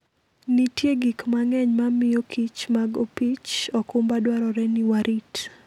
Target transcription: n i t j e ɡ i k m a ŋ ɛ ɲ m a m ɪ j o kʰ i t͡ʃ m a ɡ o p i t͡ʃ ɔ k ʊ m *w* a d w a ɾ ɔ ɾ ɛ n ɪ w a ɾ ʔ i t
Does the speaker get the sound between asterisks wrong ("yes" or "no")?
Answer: yes